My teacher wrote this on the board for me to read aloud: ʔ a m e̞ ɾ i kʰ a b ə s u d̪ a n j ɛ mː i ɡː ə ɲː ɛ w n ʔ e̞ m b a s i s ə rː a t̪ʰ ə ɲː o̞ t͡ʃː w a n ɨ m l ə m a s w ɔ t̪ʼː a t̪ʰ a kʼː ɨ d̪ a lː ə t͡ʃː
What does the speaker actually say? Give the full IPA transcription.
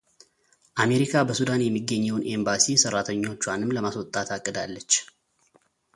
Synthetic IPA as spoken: ʔ a m e̞ ɾ i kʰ a b ə s u d̪ a n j ɛ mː i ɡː ə ɲː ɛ w n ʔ e̞ m b a s i s ə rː a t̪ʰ ə ɲː o̞ t͡ʃː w a n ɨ m l ə m a s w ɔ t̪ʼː a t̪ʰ a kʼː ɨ d̪ a lː ə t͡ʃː